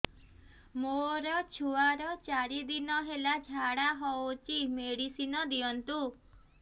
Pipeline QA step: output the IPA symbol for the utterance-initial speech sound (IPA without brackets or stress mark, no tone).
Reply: m